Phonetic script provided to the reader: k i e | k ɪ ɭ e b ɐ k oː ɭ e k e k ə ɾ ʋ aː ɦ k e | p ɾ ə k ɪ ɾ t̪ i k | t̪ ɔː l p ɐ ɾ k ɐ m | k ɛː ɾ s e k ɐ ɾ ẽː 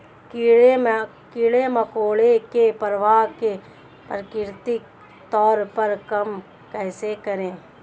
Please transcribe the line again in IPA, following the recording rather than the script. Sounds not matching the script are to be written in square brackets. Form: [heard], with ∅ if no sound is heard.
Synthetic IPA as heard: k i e | k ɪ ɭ e [m] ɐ k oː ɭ e k e [p] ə ɾ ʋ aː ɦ k e | p ɾ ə k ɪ ɾ t̪ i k | t̪ ɔː [ɾ] p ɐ ɾ k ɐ m | k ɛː [∅] s e k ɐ ɾ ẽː